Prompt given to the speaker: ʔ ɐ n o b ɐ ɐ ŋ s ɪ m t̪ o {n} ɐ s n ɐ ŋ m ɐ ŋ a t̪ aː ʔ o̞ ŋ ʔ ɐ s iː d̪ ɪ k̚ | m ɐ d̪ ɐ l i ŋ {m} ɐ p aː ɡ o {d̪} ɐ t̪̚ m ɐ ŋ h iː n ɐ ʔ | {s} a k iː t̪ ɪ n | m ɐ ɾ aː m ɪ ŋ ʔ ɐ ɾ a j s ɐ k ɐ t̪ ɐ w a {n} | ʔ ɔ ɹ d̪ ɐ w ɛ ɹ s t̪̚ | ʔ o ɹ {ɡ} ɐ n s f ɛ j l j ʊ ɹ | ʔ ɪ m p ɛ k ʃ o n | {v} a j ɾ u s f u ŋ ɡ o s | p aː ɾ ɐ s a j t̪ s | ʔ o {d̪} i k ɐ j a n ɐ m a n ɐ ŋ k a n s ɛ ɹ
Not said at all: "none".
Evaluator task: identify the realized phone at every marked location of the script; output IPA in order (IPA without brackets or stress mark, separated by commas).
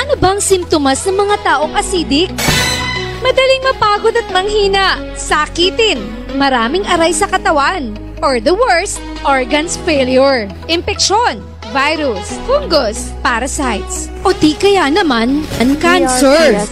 m, m, d̪, s, n, ɡ, v, t̪